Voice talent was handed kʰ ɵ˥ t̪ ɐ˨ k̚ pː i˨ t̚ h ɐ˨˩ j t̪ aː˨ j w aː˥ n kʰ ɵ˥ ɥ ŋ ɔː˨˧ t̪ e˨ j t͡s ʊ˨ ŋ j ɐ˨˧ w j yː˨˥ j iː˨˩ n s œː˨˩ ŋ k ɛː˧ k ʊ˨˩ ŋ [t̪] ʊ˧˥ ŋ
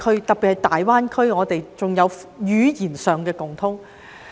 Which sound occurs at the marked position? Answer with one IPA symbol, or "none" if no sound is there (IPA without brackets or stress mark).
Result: t̪ʰ